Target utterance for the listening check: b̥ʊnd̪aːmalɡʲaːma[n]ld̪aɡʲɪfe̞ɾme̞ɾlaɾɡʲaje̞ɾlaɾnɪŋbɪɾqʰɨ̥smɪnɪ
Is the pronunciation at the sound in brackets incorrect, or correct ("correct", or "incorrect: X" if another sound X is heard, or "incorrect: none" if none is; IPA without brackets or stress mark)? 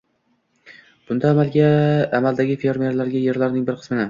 incorrect: none